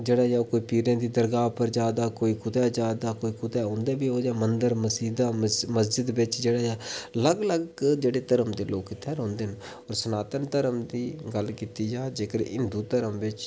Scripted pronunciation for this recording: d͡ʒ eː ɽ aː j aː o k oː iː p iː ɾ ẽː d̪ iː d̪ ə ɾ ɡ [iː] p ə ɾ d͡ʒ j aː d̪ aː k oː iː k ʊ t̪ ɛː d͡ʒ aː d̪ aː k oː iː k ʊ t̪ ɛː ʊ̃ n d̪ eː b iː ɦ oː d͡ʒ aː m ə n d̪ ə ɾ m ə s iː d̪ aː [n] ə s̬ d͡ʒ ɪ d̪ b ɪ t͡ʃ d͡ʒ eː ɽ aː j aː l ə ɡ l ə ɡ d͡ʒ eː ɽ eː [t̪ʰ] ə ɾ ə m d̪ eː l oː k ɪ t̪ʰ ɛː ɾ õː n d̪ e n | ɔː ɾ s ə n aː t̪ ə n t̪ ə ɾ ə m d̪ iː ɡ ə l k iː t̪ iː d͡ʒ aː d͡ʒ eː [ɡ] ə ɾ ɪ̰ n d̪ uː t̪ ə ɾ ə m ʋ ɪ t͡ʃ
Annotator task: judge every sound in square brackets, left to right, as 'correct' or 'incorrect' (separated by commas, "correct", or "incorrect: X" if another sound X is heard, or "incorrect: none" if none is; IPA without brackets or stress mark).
incorrect: aː, incorrect: m, incorrect: t̪, incorrect: k